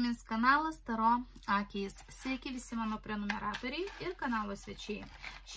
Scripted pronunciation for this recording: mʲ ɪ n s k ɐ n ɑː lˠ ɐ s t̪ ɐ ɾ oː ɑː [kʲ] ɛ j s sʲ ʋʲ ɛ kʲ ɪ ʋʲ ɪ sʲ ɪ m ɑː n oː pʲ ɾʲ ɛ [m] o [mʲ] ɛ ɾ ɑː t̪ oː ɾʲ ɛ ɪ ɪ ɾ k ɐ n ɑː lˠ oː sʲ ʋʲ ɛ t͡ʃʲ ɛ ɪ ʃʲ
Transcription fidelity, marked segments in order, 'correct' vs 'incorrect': correct, incorrect: n, correct

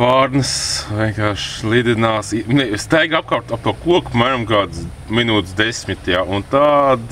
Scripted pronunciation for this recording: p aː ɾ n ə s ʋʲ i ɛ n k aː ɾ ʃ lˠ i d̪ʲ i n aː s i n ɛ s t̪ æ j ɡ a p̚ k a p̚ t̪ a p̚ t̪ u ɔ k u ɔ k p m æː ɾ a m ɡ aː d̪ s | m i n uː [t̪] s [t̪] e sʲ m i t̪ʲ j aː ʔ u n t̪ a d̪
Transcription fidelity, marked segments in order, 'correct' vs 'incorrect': correct, incorrect: d̪

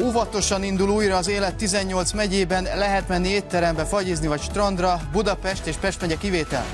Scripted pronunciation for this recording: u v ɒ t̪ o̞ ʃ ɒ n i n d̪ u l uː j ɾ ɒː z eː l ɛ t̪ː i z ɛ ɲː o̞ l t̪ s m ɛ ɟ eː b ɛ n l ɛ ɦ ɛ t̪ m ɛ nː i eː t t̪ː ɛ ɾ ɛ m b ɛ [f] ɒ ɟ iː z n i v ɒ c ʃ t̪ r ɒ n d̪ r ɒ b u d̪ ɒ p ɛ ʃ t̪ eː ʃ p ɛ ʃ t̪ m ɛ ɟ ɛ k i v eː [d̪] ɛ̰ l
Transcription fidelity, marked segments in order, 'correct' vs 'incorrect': correct, incorrect: t̪

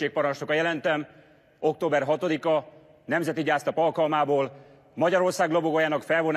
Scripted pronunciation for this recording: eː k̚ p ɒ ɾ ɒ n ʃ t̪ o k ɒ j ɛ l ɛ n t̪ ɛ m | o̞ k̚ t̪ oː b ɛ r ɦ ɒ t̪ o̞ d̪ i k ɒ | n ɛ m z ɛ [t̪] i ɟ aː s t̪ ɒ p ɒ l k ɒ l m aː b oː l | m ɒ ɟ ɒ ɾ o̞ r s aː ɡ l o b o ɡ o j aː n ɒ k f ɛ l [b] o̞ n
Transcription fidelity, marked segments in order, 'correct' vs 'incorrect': correct, incorrect: v

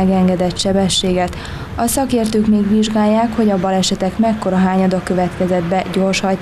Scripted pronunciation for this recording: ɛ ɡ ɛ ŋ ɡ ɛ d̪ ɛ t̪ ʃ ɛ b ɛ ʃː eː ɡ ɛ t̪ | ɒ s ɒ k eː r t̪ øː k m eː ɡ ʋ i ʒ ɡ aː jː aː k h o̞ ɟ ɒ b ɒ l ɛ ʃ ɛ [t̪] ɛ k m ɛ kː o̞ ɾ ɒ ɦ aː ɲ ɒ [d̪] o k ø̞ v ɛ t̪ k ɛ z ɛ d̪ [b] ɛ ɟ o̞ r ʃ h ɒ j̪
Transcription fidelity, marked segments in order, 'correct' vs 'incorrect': correct, correct, correct

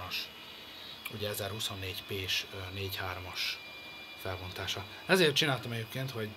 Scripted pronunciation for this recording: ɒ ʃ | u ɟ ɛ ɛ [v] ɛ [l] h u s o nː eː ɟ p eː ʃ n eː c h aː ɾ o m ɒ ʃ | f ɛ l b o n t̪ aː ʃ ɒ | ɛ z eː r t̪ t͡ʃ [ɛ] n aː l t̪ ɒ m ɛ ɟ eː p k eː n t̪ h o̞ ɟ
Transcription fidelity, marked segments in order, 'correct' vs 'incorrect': incorrect: z, incorrect: r, incorrect: i

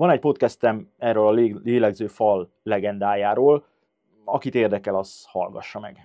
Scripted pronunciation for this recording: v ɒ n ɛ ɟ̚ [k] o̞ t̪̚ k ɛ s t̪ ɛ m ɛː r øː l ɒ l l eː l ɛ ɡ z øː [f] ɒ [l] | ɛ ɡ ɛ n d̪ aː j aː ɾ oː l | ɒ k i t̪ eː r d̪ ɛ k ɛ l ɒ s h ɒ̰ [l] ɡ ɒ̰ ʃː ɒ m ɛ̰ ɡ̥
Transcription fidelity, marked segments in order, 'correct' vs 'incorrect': incorrect: p, correct, incorrect: lː, correct

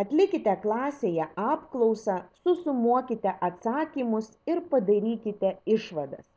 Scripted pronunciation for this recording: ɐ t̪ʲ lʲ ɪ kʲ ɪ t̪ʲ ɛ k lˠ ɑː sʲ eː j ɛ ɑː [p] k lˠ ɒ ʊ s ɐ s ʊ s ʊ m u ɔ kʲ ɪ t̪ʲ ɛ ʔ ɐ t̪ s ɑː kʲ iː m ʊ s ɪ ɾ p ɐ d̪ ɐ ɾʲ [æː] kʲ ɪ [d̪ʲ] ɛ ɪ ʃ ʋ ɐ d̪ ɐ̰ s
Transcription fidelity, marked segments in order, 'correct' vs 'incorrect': correct, incorrect: iː, incorrect: t̪ʲ

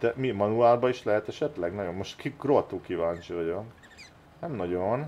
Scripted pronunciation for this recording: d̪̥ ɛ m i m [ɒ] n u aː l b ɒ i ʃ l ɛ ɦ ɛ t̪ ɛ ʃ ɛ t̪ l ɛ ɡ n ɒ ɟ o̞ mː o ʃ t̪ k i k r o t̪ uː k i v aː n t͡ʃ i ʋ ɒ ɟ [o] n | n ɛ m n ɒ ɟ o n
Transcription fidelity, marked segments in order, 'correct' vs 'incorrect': correct, correct

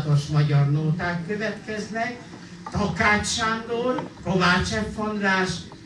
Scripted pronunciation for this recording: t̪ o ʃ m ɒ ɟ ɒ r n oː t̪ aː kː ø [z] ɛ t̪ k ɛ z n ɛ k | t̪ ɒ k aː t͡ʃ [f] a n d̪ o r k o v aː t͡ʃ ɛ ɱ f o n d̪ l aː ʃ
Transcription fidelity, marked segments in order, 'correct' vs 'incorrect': incorrect: v, incorrect: ʃ

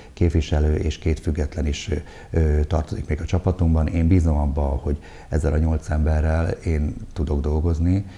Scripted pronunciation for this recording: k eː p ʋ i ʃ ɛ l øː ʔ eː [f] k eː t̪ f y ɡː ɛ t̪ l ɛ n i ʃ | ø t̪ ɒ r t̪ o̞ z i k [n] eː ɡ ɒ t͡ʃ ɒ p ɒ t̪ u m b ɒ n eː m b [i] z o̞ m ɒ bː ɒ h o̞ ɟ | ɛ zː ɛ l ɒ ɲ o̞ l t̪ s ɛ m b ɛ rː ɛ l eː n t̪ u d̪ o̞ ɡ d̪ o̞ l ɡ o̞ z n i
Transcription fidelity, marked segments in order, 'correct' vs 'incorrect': incorrect: ʃ, incorrect: m, incorrect: iː

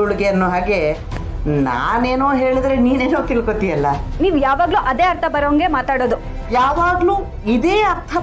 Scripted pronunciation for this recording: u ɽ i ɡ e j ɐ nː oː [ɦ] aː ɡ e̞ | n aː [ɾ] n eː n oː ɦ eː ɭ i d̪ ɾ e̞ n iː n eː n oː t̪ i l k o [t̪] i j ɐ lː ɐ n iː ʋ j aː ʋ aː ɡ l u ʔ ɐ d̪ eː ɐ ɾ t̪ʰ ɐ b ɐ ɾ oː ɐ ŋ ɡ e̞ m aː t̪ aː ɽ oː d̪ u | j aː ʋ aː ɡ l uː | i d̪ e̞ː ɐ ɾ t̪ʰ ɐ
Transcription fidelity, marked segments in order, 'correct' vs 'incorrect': correct, incorrect: none, correct

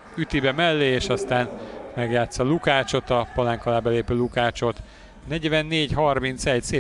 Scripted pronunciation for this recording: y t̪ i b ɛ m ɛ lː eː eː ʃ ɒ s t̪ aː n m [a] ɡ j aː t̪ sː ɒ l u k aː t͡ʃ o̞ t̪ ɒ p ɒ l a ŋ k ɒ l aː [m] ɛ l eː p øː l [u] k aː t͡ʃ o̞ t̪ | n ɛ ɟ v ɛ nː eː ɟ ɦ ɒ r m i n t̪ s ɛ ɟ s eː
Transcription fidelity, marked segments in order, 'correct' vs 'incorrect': incorrect: ɛ, incorrect: b, correct

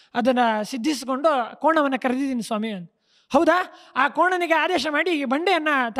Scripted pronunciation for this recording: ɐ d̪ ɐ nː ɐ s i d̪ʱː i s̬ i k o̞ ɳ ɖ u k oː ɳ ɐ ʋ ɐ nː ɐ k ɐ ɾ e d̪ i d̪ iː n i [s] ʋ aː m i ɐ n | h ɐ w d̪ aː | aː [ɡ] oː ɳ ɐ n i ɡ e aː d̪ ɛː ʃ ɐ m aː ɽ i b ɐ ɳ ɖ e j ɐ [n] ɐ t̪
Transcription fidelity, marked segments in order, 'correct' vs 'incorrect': correct, incorrect: k, incorrect: nː

